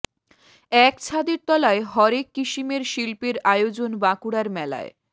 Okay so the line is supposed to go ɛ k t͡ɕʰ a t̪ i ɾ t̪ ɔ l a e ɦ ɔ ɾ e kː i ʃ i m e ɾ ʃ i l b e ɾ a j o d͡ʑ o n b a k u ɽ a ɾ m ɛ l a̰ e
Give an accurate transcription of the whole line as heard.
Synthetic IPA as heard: ɛ k t͡ɕʰ a d̪ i ɾ t̪ ɔ l a e ɦ ɔ ɾ e kː i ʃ i m e ɾ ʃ i l p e ɾ a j o d͡ʑ o n b a k u ɽ a ɾ m ɛ l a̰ e